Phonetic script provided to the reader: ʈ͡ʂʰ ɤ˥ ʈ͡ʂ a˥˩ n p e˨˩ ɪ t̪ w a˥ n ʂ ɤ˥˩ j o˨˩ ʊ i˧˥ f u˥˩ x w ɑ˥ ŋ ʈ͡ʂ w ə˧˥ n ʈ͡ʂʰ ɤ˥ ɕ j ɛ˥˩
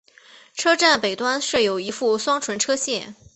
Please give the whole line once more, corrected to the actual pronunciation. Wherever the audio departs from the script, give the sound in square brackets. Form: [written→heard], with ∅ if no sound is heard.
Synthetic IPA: ʈ͡ʂʰ ɤ˥ ʈ͡ʂ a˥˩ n p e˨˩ ɪ t̪ w a˥ n ʂ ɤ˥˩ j o˨˩ ʊ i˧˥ f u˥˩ [x→s] w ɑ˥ ŋ [ʈ͡ʂ→ʈ͡ʂʰ] w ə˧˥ n ʈ͡ʂʰ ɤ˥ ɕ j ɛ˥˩

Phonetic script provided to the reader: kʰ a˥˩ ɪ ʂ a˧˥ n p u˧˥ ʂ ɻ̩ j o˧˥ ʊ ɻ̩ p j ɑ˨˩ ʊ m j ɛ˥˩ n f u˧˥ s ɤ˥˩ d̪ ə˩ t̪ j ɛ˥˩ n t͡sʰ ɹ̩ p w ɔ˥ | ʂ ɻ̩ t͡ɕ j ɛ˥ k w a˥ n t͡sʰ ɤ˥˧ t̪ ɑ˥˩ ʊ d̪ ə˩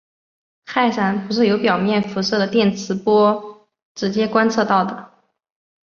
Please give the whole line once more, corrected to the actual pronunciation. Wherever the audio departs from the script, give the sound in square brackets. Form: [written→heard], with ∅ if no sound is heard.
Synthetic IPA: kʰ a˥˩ ɪ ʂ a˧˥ n p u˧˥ ʂ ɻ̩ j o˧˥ ʊ [ɻ̩→∅] p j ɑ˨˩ ʊ m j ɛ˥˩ n f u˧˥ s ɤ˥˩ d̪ ə˩ t̪ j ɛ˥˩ n t͡sʰ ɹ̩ p w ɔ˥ | [ʂ→ʈ͡ʂ] ɻ̩ t͡ɕ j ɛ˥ k w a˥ n t͡sʰ ɤ˥˧ t̪ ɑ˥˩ ʊ d̪ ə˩

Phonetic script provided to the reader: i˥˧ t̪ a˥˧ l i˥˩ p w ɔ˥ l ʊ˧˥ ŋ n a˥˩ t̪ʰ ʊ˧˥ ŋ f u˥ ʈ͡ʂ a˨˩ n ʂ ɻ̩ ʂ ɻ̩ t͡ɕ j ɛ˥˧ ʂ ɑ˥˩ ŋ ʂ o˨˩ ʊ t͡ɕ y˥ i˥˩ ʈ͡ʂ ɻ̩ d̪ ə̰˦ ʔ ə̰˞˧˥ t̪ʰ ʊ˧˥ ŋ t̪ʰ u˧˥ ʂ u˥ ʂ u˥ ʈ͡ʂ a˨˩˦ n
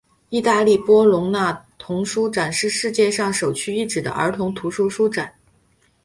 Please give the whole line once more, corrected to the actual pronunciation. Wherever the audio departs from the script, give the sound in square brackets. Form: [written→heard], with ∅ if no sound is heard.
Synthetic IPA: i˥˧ t̪ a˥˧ l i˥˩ p w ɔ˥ l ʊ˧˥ ŋ n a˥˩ t̪ʰ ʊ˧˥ ŋ [f→ʂ] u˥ ʈ͡ʂ a˨˩ n ʂ ɻ̩ ʂ ɻ̩ t͡ɕ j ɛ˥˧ ʂ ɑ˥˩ ŋ ʂ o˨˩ ʊ [t͡ɕ→t͡ɕʰ] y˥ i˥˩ ʈ͡ʂ ɻ̩ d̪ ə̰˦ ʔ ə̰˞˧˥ t̪ʰ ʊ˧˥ ŋ t̪ʰ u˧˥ ʂ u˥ ʂ u˥ ʈ͡ʂ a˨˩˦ n

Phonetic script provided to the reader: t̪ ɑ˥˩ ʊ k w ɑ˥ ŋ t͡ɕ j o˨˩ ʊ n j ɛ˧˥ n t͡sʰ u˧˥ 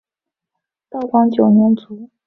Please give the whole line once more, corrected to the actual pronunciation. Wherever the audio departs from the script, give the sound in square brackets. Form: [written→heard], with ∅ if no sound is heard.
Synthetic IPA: t̪ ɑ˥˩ ʊ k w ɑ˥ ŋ t͡ɕ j o˨˩ ʊ n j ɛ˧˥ n [t͡sʰ→t͡s] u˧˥

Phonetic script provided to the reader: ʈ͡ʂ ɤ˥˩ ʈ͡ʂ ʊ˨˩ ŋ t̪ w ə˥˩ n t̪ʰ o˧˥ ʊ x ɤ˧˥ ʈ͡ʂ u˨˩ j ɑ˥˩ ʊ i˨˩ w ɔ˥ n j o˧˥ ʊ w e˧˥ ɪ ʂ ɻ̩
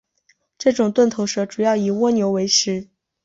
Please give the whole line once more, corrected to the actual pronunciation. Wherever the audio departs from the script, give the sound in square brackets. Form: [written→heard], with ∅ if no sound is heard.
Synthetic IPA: ʈ͡ʂ ɤ˥˩ ʈ͡ʂ ʊ˨˩ ŋ t̪ w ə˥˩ n t̪ʰ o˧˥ ʊ [x→ʂ] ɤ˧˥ ʈ͡ʂ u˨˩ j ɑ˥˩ ʊ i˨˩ w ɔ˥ n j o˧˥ ʊ w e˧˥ ɪ ʂ ɻ̩

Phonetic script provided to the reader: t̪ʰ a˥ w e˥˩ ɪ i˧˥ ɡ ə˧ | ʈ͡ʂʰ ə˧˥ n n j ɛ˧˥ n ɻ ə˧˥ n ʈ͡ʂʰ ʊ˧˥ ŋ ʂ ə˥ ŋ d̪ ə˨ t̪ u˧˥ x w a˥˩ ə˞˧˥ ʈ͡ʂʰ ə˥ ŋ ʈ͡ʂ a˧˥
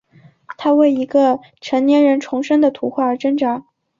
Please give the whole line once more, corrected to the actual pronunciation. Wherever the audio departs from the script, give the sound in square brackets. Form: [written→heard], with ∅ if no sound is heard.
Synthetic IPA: t̪ʰ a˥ w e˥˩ ɪ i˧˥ ɡ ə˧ | ʈ͡ʂʰ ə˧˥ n n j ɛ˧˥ n ɻ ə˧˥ n ʈ͡ʂʰ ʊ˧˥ ŋ ʂ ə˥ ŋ d̪ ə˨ [t̪→t̪ʰ] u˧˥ x w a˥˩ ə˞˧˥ [ʈ͡ʂʰ→ʈ͡ʂ] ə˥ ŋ ʈ͡ʂ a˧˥

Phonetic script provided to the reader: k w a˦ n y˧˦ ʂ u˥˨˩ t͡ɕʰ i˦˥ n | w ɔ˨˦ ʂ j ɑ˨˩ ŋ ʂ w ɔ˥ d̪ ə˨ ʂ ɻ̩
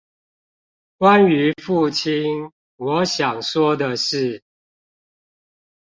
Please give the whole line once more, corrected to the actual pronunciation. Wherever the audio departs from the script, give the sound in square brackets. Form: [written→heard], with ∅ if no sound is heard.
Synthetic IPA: k w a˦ n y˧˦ [ʂ→f] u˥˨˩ t͡ɕʰ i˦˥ n | w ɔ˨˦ [ʂ→ɕ] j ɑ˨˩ ŋ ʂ w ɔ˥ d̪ ə˨ ʂ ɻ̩

